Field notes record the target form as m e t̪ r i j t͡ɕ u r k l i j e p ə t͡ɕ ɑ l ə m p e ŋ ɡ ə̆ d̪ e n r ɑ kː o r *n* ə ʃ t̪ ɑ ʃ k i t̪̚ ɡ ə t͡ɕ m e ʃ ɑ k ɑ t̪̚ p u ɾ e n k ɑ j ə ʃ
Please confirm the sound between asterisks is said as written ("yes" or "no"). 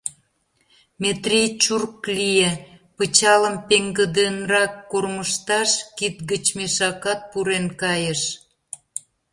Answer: no